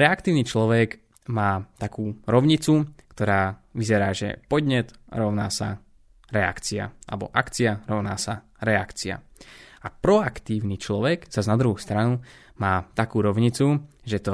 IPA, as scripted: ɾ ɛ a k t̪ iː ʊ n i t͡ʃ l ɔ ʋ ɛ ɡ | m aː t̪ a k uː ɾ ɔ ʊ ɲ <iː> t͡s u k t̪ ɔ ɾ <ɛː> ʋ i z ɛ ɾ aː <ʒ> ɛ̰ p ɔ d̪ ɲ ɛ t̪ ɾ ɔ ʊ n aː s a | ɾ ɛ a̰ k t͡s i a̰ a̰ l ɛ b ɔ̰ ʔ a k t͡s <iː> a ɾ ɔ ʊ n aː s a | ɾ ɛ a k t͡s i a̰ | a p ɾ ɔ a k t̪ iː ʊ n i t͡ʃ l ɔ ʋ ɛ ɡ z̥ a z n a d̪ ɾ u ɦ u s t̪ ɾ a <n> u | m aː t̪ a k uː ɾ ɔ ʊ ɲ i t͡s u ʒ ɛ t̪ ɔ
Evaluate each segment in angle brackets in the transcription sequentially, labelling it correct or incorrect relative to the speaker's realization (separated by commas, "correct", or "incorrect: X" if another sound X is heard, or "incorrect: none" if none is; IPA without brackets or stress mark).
incorrect: i, incorrect: aː, correct, incorrect: i, correct